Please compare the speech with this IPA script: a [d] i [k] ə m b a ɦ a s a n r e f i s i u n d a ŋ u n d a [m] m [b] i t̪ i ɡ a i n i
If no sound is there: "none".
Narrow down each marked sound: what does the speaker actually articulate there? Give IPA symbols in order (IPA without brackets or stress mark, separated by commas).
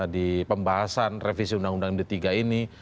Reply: d, p, ŋ, d